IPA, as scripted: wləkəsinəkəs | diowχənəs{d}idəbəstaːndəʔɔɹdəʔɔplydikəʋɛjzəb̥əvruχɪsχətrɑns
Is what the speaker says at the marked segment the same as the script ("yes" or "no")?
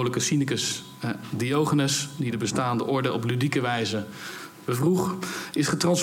yes